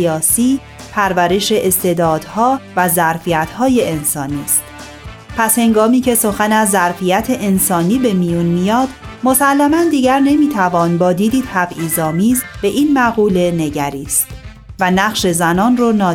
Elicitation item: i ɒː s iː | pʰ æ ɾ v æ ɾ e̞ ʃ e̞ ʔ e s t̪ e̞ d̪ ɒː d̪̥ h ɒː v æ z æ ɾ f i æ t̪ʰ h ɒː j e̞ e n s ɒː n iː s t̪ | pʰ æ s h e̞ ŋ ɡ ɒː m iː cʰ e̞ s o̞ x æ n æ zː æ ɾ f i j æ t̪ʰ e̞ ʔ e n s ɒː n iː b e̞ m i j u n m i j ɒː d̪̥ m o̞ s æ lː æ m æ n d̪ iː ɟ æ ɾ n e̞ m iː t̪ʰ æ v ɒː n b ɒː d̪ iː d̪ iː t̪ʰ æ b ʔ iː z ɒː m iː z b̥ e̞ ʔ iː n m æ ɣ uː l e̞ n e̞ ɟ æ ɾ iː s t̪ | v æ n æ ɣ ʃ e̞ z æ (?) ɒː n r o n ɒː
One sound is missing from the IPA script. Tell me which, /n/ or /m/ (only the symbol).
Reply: n